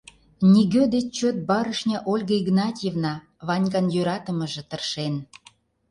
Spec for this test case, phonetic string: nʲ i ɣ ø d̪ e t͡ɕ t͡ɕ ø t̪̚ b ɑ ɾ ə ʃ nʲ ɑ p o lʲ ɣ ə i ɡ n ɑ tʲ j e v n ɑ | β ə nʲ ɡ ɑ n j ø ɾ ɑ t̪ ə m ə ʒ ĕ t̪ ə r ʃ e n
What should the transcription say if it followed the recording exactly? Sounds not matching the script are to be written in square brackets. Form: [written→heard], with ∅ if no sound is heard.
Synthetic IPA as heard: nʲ i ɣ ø d̪ e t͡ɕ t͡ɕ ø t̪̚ b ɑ ɾ ə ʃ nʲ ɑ [p→ʔ] o lʲ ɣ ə i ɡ n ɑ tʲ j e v n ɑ | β [ə→ɑ] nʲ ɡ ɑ n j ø ɾ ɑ t̪ ə m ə ʒ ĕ t̪ ə r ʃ e n